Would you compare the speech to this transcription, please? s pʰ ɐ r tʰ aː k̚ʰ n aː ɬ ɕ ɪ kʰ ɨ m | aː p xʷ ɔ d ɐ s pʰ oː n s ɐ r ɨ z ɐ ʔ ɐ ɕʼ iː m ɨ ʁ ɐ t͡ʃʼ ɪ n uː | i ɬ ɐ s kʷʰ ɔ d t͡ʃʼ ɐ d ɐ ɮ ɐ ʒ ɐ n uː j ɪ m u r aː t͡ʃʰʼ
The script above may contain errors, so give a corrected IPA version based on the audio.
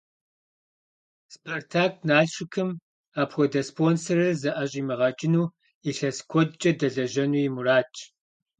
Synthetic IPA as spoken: s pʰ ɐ r tʰ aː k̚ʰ n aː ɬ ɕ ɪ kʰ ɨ m | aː p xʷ ɔ d ɐ s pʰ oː n s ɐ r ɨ z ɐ ʔ ɐ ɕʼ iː m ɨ ʁ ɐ t͡ʃʼ ɪ n uː | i ɬ ɐ s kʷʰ ɔ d t͡ʃʼ ɐ d ɐ ɮ ɐ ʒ ɐ n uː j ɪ m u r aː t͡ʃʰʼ